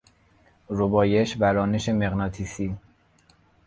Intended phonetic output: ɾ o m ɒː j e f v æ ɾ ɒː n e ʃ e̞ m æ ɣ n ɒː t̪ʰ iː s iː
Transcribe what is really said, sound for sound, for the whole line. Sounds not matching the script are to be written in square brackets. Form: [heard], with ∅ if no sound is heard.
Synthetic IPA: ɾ o [b] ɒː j e [ʃ] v æ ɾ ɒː n e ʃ e̞ m [e] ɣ n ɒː t̪ʰ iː s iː